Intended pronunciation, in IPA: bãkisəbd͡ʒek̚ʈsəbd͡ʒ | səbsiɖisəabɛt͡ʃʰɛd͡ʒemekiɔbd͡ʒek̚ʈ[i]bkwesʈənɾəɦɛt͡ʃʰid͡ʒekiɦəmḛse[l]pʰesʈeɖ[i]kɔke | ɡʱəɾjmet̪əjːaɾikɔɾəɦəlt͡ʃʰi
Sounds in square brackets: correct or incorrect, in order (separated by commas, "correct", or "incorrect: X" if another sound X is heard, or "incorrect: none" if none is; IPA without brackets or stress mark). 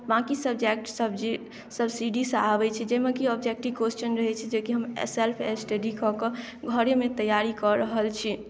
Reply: correct, correct, correct